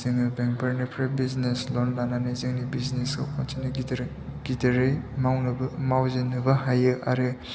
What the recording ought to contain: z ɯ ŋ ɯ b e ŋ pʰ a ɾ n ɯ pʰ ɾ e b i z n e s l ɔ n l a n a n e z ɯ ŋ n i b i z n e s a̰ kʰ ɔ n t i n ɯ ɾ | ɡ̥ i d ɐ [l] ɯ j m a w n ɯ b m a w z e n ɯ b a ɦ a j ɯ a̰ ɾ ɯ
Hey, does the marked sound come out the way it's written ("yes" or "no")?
no